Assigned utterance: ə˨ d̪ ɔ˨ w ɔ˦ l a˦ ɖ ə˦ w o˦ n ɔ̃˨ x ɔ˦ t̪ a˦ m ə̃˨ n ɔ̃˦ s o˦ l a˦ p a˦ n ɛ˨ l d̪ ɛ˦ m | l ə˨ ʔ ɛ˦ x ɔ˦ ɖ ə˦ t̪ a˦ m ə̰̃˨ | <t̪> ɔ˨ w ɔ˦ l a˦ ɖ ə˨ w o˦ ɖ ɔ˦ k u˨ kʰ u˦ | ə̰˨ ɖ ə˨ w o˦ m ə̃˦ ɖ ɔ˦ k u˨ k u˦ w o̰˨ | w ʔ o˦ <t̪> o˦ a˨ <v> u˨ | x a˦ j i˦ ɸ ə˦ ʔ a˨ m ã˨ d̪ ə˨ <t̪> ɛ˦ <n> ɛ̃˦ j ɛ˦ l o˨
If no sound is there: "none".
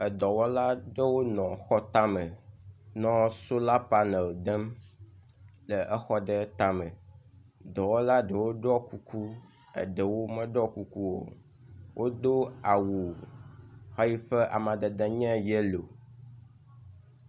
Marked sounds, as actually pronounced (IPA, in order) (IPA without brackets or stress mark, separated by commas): d̪, d̪, w, d̪, ɲ